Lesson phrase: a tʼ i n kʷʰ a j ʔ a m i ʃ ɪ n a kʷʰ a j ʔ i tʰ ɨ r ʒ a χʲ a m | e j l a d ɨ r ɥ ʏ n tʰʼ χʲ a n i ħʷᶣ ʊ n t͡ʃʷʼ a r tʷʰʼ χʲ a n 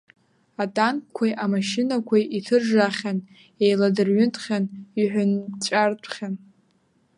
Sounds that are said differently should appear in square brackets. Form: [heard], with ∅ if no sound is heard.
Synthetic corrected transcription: a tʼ [a] n kʷʰ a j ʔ a m [a] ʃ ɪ n a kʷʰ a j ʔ i tʰ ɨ r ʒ a χʲ a [n] | e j l a d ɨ r ɥ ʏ n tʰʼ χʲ a n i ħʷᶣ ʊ n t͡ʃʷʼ a r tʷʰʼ χʲ a n